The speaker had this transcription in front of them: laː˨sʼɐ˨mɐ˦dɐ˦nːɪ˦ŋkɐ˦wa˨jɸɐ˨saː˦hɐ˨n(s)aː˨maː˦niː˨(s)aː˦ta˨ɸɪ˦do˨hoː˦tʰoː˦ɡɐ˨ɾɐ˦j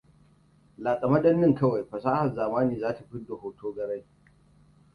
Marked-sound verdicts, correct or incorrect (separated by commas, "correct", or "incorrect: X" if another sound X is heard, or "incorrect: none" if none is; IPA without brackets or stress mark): incorrect: z, incorrect: z